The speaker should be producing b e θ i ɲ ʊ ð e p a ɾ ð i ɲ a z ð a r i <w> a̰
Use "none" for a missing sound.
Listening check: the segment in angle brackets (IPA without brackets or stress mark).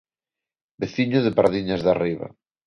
β